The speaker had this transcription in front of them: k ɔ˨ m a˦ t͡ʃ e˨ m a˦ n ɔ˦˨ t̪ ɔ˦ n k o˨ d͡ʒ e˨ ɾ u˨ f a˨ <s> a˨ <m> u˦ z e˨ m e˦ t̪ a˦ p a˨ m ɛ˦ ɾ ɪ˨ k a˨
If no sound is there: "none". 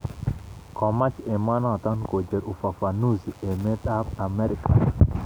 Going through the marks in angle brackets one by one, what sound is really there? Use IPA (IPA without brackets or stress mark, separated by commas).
f, n